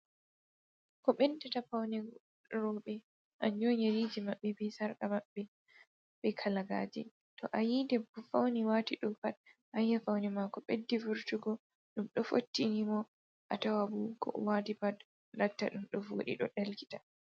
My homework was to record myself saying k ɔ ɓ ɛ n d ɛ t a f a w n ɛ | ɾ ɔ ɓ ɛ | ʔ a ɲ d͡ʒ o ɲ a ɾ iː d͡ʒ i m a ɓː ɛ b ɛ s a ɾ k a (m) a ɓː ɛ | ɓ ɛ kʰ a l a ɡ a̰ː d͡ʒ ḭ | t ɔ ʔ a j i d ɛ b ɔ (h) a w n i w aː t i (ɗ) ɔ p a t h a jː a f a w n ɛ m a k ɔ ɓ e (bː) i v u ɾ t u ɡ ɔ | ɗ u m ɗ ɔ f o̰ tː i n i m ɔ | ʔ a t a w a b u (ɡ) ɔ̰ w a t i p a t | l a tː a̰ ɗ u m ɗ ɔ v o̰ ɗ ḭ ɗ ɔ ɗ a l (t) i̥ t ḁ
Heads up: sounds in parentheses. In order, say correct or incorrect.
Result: correct, incorrect: f, correct, incorrect: dː, incorrect: k, incorrect: k

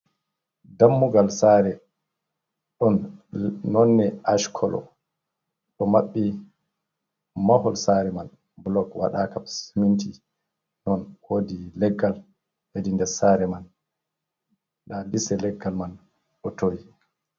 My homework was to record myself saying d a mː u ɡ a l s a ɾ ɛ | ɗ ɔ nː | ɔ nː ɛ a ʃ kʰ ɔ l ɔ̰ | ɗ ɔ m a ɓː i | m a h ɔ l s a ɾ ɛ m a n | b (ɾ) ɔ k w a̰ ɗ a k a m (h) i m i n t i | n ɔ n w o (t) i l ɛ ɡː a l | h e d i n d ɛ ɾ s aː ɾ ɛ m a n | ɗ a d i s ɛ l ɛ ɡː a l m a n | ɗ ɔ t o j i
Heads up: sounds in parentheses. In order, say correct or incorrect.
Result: incorrect: l, incorrect: s, incorrect: d

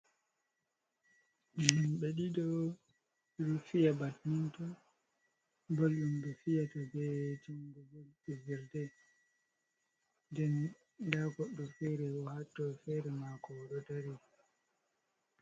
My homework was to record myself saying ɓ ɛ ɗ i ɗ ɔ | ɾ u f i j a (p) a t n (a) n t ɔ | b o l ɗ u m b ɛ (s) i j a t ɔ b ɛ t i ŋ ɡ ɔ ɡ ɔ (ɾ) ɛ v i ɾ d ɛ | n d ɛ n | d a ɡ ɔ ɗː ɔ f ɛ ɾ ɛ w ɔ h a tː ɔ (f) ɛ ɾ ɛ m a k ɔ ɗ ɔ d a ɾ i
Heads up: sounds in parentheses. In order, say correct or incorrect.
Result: incorrect: b, incorrect: i, incorrect: f, incorrect: l, correct

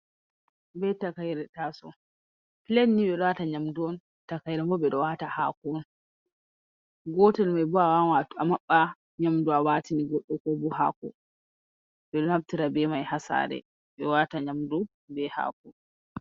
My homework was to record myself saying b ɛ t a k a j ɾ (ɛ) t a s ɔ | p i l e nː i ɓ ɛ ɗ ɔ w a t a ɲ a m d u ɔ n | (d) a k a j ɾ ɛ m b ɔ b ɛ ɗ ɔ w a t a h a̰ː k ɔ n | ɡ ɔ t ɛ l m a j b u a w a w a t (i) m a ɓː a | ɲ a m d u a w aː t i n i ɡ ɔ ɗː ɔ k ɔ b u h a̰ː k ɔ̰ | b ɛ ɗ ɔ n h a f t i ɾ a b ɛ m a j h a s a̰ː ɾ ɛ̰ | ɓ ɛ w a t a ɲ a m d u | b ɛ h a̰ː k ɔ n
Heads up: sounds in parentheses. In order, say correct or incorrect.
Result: correct, incorrect: t, incorrect: a

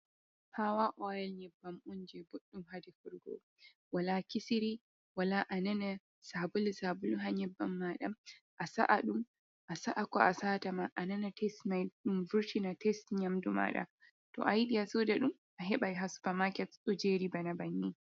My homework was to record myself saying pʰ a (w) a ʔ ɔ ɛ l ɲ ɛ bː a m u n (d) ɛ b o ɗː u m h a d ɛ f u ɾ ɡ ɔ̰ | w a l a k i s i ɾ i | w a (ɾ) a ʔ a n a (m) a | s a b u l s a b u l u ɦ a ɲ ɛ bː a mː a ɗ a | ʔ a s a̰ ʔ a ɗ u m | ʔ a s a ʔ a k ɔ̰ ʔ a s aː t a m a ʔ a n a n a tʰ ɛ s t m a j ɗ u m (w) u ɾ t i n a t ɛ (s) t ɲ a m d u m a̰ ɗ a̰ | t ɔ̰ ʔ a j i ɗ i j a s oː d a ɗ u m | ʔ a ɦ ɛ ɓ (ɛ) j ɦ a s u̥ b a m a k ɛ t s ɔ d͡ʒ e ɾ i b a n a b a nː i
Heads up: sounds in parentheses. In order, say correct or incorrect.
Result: correct, incorrect: d͡ʒ, incorrect: l, incorrect: n, incorrect: v, correct, incorrect: a

